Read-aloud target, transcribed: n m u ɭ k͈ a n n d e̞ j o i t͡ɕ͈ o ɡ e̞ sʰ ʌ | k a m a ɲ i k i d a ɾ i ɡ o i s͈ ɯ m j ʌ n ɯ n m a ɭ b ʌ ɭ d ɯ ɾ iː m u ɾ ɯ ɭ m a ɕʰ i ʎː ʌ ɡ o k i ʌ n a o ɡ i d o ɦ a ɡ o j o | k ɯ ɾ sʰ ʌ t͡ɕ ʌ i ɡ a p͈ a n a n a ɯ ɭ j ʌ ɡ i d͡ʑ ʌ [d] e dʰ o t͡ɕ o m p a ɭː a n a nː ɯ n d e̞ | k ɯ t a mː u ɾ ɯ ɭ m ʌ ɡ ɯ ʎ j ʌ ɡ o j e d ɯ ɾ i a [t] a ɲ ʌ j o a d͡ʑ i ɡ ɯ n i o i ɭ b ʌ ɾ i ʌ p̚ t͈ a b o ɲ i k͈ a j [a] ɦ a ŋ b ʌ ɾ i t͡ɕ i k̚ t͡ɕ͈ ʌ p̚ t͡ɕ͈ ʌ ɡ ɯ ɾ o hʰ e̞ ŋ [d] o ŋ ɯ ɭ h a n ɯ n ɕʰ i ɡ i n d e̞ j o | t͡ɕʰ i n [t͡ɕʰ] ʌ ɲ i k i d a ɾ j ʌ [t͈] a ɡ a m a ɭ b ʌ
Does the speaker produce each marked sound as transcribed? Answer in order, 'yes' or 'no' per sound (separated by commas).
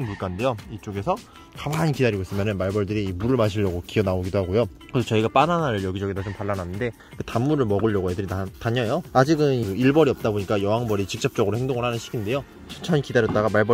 no, yes, no, yes, yes, yes